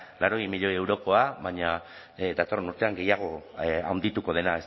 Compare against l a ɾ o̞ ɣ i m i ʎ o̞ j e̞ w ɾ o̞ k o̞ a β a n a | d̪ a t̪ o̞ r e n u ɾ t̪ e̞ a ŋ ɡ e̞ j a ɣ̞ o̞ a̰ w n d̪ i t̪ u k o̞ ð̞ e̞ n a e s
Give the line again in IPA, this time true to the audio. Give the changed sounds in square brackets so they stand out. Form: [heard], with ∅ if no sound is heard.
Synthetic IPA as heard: l a ɾ o̞ ɣ i m i ʎ o̞ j e̞ w ɾ o̞ k o̞ a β a [ɲ] a | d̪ a t̪ o̞ r e n u ɾ t̪ e̞ a ŋ ɡ e̞ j a ɣ̞ o̞ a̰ w n d̪ i t̪ u k o̞ ð̞ e̞ n a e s